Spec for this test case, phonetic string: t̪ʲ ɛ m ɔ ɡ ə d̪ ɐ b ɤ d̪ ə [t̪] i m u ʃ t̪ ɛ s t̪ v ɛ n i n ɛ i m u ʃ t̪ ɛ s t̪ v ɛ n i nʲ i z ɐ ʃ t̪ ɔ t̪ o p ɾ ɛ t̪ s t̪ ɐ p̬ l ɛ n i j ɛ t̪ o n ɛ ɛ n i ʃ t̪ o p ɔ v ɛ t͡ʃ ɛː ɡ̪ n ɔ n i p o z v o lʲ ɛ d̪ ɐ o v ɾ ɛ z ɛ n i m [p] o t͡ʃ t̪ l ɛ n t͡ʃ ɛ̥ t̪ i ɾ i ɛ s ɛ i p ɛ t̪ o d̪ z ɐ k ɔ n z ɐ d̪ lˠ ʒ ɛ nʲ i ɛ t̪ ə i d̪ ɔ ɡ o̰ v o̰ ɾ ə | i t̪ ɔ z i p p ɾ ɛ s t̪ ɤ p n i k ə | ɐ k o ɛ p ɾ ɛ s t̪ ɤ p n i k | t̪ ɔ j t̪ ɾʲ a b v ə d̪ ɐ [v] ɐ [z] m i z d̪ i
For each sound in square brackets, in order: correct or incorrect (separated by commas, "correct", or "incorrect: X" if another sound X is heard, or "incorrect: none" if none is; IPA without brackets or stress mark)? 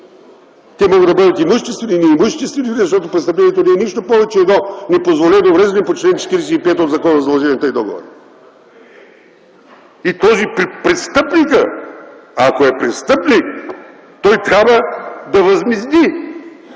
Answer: correct, correct, correct, correct